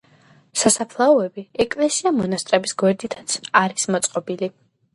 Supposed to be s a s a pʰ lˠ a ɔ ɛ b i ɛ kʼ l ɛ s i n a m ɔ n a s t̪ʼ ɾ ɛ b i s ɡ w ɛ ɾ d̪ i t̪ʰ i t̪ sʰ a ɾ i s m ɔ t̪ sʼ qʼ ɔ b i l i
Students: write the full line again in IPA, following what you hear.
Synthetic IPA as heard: s a s a pʰ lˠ a ɔ ɛ b i ɛ kʼ l ɛ s i a m ɔ n a s t̪ʼ ɾ ɛ b i s ɡ w ɛ ɾ d̪ i t̪ʰ a t̪ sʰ a ɾ i s m ɔ t̪ sʼ qʼ ɔ b i l i